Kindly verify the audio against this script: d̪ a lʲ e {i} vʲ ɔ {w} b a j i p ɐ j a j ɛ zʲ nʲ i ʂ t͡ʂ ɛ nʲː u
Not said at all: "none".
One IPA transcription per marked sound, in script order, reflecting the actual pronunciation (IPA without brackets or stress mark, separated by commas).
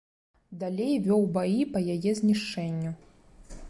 j, w